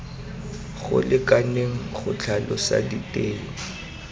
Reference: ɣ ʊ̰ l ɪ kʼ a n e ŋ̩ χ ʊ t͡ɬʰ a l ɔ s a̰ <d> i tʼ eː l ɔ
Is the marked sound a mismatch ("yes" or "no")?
no